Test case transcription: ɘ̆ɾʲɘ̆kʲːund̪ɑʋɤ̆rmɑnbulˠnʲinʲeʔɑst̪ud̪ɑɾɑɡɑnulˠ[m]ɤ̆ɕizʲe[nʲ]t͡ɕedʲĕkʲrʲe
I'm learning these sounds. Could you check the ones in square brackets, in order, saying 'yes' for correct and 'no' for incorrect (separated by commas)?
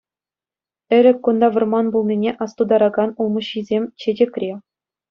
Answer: yes, no